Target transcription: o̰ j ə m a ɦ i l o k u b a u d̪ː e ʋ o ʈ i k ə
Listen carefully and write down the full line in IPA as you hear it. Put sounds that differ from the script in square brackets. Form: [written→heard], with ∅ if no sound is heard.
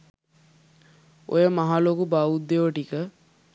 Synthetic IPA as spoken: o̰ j ə m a ɦ [i→a] l o k u b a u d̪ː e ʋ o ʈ i k ə